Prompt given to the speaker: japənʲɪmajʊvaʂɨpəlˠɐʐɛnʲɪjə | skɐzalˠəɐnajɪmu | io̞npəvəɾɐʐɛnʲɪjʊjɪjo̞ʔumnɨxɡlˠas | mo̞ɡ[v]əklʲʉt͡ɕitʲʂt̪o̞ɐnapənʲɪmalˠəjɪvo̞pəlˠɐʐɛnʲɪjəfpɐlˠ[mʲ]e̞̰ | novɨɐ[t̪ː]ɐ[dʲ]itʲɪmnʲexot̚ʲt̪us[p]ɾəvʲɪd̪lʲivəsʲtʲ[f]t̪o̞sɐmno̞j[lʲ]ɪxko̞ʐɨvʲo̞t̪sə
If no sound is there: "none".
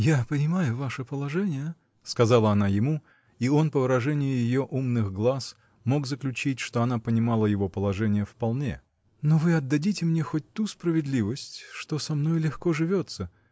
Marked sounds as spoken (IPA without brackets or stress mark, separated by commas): z, nʲ, d̪ː, dʲ, p, ʂ, lʲ